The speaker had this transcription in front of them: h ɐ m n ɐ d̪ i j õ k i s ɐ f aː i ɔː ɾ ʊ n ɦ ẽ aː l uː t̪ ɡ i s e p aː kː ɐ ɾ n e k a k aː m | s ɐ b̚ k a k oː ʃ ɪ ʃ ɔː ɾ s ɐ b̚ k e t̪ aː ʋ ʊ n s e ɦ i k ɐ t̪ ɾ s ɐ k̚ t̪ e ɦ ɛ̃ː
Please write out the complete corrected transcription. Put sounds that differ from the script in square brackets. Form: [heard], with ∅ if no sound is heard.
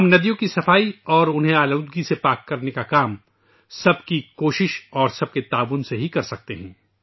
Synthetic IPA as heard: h ɐ m n ɐ d̪ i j õ k i s ɐ f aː i ɔː ɾ ʊ n ɦ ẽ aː l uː [d̪] ɡ i s e p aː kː ɐ ɾ n e k a k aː m | s ɐ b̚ k [i] k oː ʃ ɪ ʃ ɔː ɾ s ɐ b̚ k e t̪ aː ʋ ʊ n s e ɦ i k ɐ [∅] ɾ s ɐ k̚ t̪ e ɦ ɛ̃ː